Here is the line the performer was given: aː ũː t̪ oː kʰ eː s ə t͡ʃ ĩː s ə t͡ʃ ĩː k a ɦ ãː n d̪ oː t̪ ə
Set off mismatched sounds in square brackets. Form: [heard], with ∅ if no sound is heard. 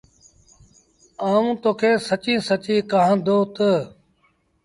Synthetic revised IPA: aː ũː t̪ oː kʰ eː s ə t͡ʃ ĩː s ə t͡ʃ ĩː k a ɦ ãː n d̪ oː t̪ ə